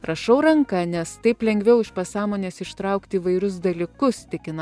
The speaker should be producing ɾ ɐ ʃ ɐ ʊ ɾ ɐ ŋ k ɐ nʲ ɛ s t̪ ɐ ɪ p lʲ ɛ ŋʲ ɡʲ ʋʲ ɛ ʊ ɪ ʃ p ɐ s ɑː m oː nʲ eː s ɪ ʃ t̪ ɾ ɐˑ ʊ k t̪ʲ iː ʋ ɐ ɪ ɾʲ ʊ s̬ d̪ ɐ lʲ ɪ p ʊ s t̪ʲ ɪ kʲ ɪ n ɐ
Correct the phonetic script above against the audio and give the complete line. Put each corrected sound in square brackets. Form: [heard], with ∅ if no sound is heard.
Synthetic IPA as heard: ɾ ɐ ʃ ɐ ʊ ɾ ɐ ŋ k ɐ nʲ ɛ s t̪ ɐ ɪ p lʲ ɛ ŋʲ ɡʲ ʋʲ ɛ ʊ ɪ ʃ p ɐ s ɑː m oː nʲ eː s ɪ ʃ t̪ ɾ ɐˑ ʊ k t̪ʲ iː ʋ ɐ ɪ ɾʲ ʊ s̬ d̪ ɐ lʲ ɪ [k] ʊ s t̪ʲ ɪ kʲ ɪ n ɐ